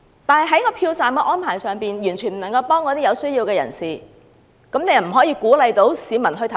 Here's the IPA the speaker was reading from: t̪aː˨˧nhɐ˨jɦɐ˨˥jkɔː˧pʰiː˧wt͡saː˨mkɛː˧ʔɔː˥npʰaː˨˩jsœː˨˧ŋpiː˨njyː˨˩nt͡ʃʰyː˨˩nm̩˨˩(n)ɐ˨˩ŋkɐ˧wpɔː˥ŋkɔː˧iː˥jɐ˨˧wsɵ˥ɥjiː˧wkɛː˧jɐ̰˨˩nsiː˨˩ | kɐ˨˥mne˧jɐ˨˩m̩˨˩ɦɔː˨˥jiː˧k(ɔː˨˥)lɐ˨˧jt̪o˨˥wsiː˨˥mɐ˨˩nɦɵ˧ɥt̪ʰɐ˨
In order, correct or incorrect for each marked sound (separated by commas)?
correct, incorrect